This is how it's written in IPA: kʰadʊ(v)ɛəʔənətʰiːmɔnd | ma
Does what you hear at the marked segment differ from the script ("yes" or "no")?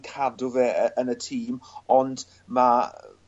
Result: no